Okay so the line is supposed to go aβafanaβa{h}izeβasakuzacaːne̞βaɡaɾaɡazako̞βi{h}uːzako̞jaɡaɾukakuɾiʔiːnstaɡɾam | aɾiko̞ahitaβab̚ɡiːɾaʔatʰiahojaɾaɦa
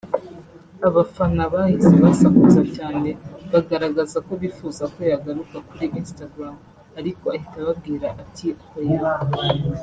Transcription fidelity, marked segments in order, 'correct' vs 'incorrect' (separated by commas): correct, incorrect